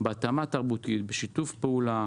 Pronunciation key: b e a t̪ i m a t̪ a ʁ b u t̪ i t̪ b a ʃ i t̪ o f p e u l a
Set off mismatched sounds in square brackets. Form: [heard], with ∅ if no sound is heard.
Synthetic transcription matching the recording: b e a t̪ [a] m a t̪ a ʁ b u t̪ i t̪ b [e] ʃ i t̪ [u] f p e u l a